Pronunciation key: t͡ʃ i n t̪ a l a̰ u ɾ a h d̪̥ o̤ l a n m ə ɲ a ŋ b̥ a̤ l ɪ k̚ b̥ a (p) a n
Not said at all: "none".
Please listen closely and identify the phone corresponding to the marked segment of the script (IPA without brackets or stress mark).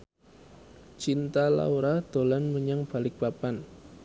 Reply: p